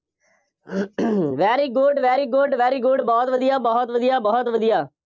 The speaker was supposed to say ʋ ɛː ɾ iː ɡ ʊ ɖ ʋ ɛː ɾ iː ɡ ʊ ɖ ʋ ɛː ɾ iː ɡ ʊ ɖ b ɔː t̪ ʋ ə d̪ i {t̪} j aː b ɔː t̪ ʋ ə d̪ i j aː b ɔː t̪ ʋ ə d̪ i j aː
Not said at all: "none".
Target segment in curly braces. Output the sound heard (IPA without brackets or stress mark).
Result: none